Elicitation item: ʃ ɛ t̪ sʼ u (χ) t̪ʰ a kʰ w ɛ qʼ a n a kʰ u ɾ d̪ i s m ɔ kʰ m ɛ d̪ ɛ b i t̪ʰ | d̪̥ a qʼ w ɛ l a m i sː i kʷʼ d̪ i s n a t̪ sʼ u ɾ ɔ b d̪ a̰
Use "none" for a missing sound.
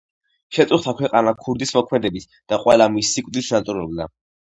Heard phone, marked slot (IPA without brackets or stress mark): χ